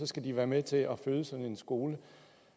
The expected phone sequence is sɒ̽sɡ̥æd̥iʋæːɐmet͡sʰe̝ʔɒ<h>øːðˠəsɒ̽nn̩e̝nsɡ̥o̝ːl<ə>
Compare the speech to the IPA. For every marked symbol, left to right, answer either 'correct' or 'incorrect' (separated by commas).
incorrect, correct